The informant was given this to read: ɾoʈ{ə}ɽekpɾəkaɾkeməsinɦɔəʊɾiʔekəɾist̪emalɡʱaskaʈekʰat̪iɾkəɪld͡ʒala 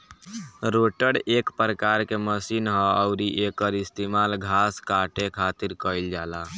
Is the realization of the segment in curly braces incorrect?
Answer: no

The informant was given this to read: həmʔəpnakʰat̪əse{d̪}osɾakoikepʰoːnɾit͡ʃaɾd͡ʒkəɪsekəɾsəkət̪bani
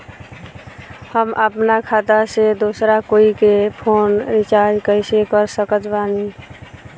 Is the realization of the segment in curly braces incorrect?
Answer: no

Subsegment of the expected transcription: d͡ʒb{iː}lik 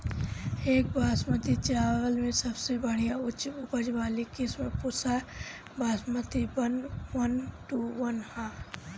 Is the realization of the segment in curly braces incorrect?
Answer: yes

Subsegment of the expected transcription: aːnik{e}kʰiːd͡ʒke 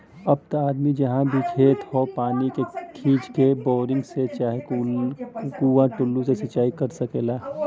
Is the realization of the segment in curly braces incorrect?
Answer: no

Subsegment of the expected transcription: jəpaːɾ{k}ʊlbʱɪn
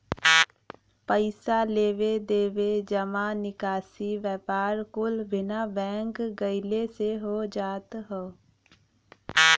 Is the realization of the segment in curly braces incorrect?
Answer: no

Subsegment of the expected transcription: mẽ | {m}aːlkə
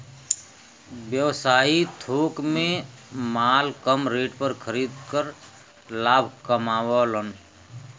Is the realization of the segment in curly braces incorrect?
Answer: no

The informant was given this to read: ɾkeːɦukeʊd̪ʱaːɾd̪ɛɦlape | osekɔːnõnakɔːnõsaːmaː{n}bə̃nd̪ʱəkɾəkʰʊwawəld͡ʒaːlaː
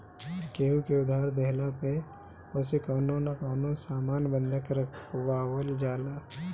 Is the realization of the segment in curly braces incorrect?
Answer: no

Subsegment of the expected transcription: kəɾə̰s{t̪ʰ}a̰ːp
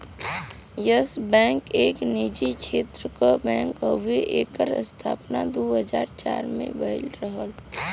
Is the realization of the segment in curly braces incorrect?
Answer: no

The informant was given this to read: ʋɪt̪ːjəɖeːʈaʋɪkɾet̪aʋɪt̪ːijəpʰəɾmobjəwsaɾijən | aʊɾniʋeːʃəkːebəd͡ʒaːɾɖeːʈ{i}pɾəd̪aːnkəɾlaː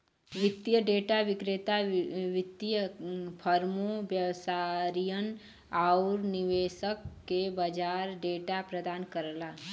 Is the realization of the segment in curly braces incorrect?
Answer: yes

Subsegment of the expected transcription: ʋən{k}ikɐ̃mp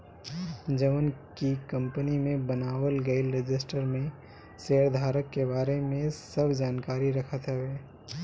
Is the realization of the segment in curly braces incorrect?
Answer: no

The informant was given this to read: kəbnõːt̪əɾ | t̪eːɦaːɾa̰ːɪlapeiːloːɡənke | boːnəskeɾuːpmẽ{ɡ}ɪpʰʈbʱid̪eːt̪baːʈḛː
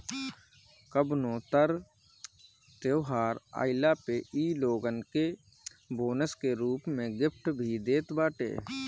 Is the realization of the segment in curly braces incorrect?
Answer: no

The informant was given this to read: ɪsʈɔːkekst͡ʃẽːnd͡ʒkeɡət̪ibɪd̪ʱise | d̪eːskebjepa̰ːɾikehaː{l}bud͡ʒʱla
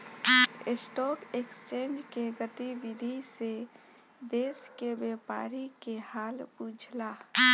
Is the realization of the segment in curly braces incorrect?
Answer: no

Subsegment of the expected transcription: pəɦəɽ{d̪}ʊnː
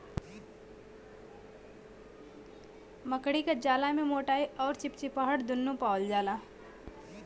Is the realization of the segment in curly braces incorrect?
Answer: no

